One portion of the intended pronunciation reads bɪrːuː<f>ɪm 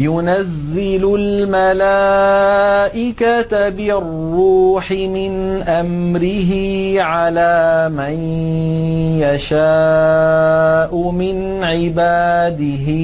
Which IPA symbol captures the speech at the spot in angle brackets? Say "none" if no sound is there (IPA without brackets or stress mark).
ħ